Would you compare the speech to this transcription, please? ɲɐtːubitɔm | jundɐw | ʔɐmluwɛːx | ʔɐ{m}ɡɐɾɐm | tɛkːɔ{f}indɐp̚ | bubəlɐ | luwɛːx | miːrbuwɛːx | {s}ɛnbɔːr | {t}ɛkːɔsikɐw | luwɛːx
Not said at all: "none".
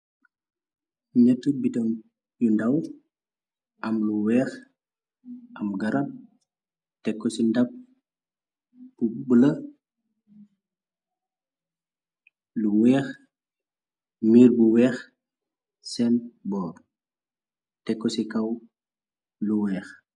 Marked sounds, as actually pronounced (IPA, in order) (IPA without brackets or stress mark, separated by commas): m, s, s, t